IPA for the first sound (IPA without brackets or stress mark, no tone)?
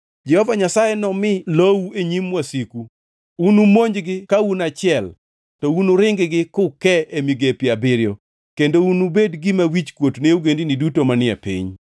d͡ʒ